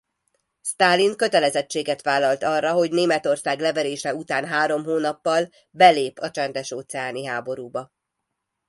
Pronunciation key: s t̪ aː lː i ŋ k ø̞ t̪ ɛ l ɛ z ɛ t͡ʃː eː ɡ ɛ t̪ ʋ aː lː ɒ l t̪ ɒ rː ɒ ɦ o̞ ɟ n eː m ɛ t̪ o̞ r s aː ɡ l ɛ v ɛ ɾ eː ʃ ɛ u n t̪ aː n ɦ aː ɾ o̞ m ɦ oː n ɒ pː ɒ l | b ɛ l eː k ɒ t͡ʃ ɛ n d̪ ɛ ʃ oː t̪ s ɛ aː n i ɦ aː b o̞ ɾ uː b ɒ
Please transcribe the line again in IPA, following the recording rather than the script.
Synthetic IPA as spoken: s t̪ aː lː i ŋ k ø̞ t̪ ɛ l ɛ z ɛ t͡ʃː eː ɡ ɛ t̪ ʋ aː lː ɒ l t̪ ɒ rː ɒ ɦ o̞ ɟ n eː m ɛ t̪ o̞ r s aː ɡ l ɛ v ɛ ɾ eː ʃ ɛ u t̪ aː n ɦ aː ɾ o̞ m ɦ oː n ɒ pː ɒ l | b ɛ l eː p ɒ t͡ʃ ɛ n d̪ ɛ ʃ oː t̪ s ɛ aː n i ɦ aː b o̞ ɾ uː b ɒ